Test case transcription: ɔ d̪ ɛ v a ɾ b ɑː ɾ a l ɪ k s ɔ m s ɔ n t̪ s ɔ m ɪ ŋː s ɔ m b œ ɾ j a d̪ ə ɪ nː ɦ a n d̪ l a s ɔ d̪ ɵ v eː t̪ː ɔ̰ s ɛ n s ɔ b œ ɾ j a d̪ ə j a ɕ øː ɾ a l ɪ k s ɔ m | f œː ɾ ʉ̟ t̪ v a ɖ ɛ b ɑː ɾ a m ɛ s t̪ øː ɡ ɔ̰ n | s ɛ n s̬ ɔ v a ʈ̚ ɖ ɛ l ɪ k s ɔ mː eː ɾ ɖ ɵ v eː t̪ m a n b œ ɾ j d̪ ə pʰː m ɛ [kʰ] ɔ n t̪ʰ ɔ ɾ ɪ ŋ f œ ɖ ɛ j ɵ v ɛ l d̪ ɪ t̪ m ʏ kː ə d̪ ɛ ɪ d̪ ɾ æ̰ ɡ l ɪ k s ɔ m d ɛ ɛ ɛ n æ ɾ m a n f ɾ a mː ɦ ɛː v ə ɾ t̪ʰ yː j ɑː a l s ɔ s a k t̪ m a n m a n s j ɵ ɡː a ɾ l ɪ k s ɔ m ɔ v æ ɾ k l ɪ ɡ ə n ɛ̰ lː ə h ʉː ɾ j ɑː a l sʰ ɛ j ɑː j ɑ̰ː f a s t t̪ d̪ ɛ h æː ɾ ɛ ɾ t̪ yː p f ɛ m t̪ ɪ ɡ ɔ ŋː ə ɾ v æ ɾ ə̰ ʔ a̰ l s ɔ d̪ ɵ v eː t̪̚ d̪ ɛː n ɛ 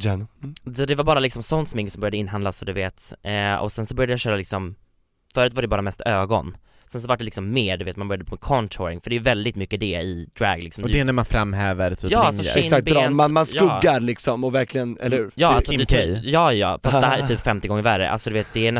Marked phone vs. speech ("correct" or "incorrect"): correct